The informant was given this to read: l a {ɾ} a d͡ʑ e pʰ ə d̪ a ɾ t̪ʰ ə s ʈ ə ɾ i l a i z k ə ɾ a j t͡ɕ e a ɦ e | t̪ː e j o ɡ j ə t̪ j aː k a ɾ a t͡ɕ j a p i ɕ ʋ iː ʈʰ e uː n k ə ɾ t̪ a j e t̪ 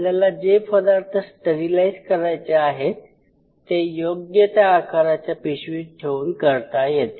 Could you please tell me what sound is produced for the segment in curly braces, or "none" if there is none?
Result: l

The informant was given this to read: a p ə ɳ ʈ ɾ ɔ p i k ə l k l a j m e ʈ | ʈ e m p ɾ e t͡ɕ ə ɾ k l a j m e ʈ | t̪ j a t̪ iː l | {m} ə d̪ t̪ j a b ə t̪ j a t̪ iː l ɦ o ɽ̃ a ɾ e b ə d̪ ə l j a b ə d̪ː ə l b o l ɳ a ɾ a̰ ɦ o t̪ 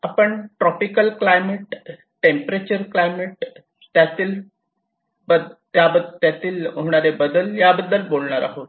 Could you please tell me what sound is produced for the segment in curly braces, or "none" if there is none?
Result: b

